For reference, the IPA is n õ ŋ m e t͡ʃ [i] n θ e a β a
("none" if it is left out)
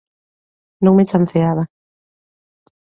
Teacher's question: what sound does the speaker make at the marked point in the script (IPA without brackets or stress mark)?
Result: a